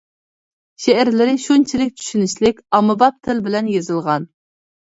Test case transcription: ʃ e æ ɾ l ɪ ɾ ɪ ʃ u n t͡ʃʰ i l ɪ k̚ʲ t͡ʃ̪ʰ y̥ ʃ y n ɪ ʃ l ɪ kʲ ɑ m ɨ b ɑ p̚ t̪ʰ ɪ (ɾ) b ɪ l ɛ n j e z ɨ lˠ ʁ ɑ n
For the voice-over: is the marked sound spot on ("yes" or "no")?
no